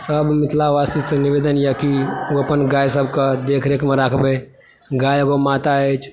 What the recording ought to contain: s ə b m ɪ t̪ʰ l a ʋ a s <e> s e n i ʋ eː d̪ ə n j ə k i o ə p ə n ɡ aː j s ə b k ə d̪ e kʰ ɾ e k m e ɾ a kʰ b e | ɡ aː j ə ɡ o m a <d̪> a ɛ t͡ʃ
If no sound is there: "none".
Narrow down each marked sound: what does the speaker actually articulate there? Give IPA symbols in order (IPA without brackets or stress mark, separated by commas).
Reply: i, t̪